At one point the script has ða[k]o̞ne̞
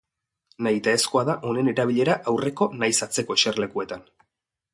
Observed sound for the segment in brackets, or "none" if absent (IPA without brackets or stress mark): ʔ